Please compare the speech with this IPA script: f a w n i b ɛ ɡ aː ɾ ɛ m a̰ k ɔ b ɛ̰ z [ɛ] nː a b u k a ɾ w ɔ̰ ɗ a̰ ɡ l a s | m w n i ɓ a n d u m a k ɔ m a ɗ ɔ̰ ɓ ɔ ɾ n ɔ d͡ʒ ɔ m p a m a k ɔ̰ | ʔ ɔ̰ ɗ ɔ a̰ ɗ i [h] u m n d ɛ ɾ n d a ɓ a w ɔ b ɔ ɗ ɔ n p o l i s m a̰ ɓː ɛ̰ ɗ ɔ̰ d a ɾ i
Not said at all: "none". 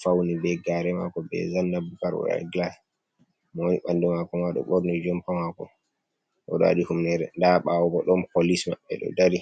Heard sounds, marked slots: a, h

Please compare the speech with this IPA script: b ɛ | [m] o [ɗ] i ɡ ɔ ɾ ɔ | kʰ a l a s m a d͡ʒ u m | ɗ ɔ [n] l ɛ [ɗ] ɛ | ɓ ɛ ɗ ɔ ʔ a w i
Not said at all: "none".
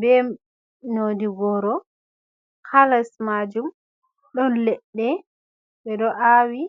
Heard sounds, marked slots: n, d, n, ɗː

